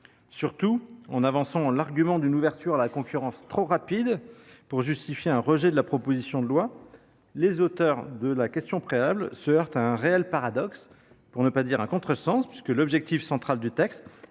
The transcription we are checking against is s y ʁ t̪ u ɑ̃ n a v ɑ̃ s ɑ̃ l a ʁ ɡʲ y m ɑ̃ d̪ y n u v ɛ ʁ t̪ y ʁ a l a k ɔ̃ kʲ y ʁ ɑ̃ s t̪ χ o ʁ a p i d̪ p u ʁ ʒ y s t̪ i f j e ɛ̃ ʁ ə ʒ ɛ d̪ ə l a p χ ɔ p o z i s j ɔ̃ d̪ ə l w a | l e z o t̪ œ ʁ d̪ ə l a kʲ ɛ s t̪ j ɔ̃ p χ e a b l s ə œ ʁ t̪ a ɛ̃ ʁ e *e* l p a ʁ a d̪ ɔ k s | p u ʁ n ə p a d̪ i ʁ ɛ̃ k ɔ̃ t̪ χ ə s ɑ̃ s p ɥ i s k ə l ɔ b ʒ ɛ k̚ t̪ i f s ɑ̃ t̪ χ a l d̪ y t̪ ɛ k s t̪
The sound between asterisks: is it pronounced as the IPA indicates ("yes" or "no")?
no